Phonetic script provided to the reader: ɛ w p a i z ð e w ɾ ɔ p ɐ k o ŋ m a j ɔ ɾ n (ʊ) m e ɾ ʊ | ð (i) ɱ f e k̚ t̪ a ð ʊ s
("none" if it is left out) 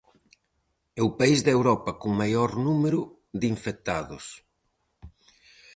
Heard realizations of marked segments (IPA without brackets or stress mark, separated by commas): u, i